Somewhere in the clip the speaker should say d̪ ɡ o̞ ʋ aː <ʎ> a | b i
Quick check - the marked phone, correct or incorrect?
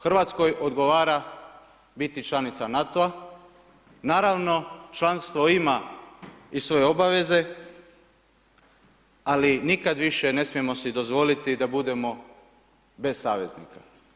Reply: incorrect